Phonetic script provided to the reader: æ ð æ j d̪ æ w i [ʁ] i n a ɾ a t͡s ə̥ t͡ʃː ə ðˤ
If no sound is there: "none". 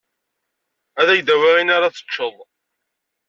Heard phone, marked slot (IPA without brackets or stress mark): ʁ